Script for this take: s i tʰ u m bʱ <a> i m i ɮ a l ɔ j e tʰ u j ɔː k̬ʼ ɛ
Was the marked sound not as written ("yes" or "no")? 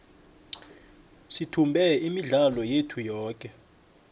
yes